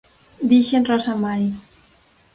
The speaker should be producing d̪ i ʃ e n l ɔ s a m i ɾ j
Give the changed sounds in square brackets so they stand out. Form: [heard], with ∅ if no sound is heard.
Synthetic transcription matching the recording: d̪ i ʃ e n [r] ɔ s a m [a] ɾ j